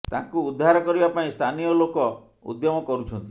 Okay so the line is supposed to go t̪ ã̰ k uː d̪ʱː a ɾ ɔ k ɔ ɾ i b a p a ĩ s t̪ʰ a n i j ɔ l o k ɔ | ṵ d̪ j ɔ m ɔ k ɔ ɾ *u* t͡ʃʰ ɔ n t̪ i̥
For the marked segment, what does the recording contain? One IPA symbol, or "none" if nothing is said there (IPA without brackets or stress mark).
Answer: u